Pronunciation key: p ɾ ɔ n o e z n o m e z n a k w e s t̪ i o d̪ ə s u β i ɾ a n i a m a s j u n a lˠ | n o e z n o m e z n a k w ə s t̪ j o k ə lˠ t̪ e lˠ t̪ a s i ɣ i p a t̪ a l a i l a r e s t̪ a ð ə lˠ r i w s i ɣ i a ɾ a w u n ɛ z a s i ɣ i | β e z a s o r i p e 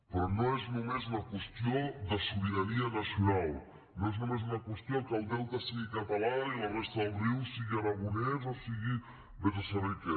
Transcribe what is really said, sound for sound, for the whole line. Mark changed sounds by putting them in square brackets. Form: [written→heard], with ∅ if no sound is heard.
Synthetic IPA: p ɾ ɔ n o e z n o m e z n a k w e s t̪ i o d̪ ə s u β i ɾ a n i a [m→n] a s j u n a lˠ | n o e z n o m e z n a k w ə s t̪ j o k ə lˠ [t̪→d̪] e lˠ t̪ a s i ɣ i [p→k] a t̪ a l a i l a r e s t̪ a ð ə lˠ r i w s i ɣ i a ɾ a [w→ɣ] u n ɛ z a s i ɣ i | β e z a s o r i [p→k] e